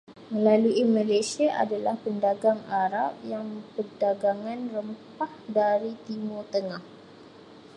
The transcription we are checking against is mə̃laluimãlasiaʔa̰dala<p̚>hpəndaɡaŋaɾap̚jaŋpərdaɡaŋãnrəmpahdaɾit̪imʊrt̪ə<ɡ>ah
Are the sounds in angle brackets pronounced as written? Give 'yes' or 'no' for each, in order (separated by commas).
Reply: no, no